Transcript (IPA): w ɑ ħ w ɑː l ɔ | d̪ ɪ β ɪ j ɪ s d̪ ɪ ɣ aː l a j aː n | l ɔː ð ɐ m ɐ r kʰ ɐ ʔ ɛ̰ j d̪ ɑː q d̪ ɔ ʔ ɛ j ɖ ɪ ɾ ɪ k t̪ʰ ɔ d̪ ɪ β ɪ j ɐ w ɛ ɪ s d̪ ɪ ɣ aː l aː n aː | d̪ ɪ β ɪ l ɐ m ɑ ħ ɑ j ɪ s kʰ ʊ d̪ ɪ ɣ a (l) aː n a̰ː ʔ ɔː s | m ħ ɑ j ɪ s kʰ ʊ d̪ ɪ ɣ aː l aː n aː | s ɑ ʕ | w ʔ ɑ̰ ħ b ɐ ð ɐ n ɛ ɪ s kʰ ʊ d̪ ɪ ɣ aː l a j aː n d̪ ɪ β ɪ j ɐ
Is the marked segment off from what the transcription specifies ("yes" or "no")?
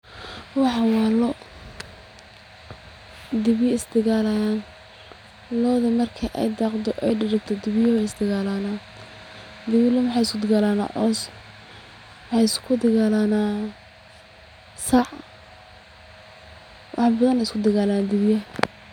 no